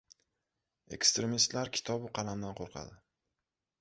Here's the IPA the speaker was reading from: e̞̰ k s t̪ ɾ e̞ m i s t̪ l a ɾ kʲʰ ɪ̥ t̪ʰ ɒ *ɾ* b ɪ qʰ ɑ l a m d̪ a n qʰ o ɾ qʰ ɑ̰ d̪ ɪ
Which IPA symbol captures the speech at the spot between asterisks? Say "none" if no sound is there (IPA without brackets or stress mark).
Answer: none